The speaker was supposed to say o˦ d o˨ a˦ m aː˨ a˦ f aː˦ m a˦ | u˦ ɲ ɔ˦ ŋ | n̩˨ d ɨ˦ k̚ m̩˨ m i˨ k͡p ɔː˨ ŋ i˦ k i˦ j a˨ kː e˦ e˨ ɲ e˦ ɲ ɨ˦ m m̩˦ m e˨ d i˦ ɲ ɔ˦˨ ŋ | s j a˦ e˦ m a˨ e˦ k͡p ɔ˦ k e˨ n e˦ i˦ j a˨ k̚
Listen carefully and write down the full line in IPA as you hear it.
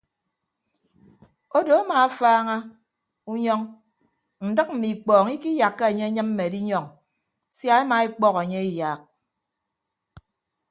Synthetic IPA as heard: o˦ d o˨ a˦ m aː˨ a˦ f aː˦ ŋ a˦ | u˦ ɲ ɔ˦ ŋ | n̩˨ d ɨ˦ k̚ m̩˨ m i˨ k͡p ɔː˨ ŋ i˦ k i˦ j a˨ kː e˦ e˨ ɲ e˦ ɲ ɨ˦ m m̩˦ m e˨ d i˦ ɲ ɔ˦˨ ŋ | s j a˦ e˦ m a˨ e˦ k͡p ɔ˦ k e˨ ɲ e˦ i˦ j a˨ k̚